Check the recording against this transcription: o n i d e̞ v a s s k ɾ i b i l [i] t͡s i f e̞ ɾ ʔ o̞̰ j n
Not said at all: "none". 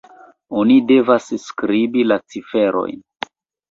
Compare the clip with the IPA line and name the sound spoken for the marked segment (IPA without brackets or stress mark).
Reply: a